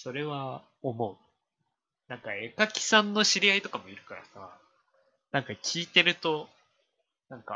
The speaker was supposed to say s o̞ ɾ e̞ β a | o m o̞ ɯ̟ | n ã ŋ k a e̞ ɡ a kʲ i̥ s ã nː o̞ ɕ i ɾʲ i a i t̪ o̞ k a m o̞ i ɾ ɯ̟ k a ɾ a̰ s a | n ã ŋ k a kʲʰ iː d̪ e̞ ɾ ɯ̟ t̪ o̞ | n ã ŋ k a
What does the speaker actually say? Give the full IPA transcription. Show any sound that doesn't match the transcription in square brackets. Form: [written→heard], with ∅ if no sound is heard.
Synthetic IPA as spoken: s o̞ ɾ e̞ β a | o m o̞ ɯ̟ | n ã ŋ k a e̞ [ɡ→k] a kʲ i̥ s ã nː o̞ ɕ i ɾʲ i a i t̪ o̞ k a m o̞ i ɾ ɯ̟ k a ɾ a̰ s a | n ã ŋ k a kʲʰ iː [d̪→t̪] e̞ ɾ ɯ̟ t̪ o̞ | n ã ŋ k a